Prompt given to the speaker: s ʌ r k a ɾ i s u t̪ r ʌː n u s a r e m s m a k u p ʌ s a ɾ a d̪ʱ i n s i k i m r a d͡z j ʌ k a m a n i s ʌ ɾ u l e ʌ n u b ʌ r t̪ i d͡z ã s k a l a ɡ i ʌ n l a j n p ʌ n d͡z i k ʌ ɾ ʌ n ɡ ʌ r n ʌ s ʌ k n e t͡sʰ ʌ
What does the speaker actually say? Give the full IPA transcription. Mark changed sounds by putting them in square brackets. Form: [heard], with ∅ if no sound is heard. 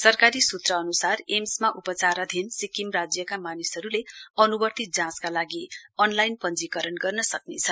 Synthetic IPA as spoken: s ʌ r k a ɾ i s u t̪ r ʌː n u s a r e m s m a [ʔ] u p ʌ [t͡s] a ɾ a d̪ʱ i n s i k i m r a d͡z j ʌ k a m a n i s ʌ ɾ u l e ʌ n u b ʌ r t̪ i d͡z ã s k a l a ɡ i ʌ n l a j n p ʌ n d͡z i k ʌ ɾ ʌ n ɡ ʌ r n ʌ s ʌ k n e t͡sʰ ʌ